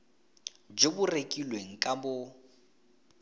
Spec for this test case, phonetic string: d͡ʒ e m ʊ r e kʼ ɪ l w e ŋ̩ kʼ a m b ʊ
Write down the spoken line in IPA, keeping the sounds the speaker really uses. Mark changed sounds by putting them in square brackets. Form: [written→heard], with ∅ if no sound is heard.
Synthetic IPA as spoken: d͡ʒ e [m→b] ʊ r e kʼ [ɪ→i] l w e ŋ̩ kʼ a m b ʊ